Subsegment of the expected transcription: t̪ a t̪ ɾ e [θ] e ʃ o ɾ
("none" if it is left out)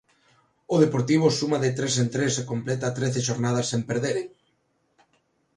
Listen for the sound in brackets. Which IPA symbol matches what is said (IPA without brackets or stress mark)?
θ